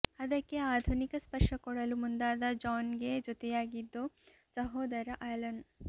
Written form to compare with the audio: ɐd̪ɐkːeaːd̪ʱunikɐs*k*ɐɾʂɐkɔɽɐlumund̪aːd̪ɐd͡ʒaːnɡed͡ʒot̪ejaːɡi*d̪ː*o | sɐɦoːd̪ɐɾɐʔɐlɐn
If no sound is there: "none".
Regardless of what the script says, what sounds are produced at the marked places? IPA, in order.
p, d̪ː

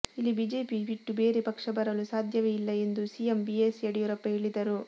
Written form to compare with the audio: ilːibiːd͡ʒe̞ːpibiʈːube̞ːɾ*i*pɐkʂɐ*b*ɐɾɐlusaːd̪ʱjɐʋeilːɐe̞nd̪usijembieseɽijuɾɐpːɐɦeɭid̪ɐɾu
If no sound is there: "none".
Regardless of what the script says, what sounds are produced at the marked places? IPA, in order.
e, b

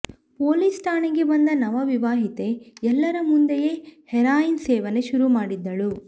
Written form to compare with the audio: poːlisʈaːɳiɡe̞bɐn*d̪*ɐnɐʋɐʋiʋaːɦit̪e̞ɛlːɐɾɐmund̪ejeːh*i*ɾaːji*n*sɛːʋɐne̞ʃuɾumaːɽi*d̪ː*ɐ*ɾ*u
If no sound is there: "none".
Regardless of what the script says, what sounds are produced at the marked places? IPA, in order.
d̪, ɛ, n, d̪ː, ɭ

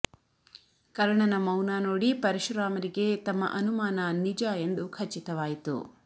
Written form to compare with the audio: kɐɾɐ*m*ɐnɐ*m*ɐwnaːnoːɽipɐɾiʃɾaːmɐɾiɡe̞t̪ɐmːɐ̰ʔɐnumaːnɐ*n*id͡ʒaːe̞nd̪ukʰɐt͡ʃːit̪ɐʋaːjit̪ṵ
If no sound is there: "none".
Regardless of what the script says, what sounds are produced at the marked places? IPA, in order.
ɳ, m, n

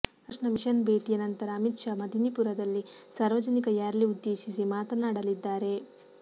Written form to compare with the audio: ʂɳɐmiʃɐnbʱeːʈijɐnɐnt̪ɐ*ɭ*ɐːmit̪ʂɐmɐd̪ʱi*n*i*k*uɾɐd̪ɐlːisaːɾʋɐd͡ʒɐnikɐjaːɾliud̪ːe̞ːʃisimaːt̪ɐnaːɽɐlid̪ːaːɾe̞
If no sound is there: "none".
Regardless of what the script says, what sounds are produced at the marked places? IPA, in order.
ɾ, n, p

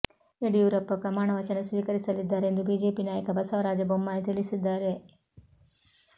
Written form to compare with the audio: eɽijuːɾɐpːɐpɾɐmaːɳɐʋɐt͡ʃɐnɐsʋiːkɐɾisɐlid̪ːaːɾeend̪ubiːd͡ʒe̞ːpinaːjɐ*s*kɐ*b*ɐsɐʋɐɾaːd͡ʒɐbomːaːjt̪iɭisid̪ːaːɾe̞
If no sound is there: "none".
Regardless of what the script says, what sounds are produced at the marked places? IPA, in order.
none, b

